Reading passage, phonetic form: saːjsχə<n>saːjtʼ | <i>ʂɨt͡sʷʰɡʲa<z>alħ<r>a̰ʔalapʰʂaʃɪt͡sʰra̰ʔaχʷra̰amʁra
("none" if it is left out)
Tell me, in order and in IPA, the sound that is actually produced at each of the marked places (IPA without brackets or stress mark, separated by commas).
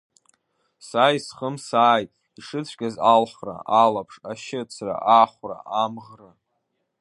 m, i, z, r